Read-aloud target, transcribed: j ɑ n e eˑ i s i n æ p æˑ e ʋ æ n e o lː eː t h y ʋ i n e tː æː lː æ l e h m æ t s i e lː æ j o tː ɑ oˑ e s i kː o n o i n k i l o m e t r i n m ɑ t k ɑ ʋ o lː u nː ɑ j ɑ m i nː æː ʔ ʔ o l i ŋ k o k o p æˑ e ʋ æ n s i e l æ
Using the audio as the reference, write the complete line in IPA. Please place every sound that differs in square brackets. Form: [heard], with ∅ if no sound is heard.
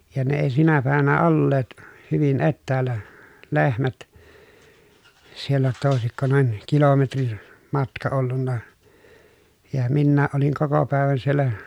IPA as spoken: j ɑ n e eˑ i s i n æ p æˑ e ʋ æ n [æ] o lː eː t h y ʋ i n e tː æː lː æ l e h m æ t s i e lː æ j o tː ɑ oˑ e s i kː o n o i n k i l o m e t r i n m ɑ t k ɑ [∅] o lː u nː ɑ j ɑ m i nː æː ʔ ʔ o l i ŋ k o k o p æˑ e ʋ æ n s i e [lː] æ